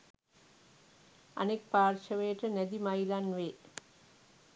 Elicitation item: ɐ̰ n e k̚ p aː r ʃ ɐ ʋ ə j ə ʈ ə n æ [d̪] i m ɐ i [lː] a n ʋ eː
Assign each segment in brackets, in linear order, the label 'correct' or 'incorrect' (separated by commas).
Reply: correct, incorrect